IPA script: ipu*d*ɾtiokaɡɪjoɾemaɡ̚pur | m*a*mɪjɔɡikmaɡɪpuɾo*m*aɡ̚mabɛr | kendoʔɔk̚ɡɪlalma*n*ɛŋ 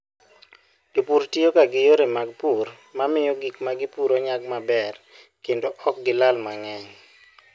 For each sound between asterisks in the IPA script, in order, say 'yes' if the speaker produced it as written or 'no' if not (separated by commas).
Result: no, yes, no, no